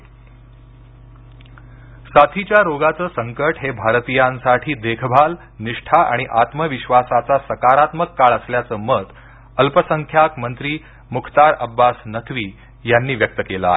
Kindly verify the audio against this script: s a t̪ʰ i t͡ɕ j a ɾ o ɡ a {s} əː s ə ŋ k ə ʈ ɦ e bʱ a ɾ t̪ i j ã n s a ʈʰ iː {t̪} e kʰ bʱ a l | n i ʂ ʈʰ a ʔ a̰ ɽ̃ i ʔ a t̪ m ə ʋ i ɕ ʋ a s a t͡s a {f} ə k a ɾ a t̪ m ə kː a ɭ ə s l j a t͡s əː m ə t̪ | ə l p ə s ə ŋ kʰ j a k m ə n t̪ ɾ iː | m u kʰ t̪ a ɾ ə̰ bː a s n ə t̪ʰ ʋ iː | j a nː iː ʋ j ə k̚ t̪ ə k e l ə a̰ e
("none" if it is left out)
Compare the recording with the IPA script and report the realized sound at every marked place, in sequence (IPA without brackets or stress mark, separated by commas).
t͡s, d̪, s